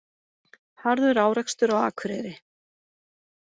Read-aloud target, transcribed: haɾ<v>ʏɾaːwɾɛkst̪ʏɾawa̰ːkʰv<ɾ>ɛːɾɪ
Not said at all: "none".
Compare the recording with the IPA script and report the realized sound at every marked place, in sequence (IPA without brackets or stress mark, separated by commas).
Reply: ð, ɾ